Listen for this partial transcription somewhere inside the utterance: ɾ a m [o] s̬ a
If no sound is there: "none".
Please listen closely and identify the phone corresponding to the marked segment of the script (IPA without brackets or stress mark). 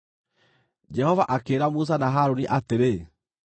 u